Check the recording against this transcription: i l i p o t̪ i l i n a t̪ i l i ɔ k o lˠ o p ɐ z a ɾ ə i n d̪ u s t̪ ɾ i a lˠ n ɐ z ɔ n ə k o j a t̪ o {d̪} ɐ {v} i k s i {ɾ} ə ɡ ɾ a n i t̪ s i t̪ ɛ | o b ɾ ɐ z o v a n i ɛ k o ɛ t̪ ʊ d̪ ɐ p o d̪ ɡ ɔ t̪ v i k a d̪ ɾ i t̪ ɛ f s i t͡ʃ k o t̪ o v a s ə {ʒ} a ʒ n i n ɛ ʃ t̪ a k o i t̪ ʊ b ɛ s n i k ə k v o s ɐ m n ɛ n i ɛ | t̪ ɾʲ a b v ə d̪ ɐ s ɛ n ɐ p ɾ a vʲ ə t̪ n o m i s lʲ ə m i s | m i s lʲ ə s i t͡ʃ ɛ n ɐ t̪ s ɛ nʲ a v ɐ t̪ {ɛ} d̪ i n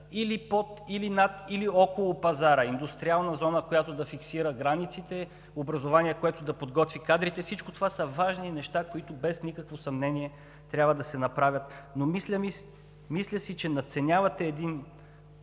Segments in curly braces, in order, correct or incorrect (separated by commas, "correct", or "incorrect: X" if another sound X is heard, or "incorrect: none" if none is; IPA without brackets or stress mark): correct, incorrect: f, correct, incorrect: v, incorrect: ɛː